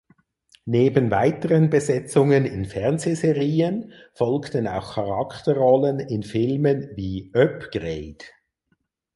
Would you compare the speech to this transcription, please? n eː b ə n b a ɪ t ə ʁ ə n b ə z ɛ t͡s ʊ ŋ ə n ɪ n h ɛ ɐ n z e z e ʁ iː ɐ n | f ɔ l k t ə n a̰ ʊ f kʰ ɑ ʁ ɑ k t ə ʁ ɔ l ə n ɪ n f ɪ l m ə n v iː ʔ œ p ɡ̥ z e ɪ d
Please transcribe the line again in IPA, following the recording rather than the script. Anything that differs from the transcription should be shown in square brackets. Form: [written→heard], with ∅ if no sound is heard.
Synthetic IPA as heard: n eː b ə n [b→v] a ɪ t ə ʁ ə n b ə z ɛ t͡s ʊ ŋ ə n ɪ n [h→f] ɛ ɐ n z e z e ʁ iː [ɐ→ə] n | f ɔ l k t ə n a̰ ʊ [f→x] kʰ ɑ ʁ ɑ k t ə ʁ ɔ l ə n ɪ n f ɪ l m ə n v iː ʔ œ p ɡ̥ [z→ʁ] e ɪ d